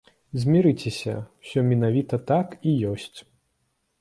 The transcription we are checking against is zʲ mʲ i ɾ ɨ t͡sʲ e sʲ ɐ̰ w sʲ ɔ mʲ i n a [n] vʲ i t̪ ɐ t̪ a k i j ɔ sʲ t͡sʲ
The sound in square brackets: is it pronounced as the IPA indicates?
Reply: no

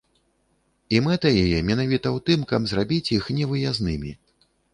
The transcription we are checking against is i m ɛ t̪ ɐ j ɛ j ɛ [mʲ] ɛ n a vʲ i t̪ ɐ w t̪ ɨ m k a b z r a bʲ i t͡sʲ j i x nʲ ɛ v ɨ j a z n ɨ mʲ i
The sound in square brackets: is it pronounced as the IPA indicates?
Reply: yes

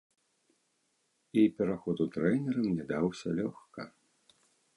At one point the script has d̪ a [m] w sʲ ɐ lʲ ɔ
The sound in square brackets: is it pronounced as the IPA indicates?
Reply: no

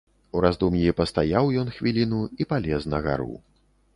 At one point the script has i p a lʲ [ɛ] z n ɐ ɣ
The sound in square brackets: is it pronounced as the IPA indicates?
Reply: yes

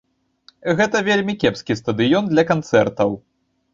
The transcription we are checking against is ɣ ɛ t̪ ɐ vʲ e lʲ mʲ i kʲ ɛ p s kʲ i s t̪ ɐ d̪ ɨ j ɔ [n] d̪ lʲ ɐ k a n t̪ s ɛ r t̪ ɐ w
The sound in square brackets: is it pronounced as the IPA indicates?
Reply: yes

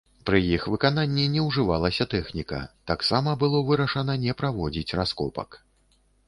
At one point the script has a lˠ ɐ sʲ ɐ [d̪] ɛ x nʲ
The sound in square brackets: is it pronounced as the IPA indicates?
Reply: no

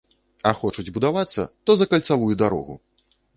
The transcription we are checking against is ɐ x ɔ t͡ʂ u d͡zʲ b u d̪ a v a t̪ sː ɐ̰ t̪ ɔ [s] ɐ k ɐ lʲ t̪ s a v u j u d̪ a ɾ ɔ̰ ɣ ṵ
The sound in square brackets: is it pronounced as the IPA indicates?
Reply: no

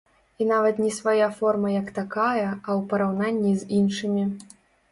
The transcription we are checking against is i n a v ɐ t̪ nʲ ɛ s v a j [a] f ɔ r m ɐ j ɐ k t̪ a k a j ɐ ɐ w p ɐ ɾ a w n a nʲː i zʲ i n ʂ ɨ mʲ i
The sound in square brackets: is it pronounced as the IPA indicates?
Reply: yes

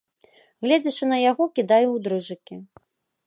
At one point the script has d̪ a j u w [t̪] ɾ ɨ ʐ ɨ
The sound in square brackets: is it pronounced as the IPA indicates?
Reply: no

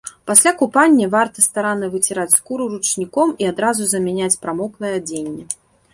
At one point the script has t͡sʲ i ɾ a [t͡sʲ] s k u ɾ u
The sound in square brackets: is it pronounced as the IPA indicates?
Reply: yes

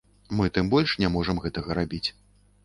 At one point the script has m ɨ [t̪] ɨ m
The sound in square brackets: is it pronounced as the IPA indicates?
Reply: yes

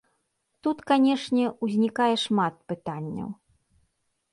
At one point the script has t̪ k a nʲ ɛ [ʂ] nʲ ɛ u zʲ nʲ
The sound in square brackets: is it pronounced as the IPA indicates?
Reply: yes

